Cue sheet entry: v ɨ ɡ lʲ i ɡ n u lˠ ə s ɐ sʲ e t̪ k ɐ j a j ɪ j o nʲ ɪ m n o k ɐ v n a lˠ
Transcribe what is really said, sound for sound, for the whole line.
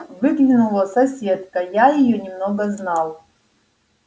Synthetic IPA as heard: v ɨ ɡ lʲ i n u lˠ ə s ɐ sʲ e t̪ k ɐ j a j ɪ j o nʲ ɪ m n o ɡ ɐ z n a lˠ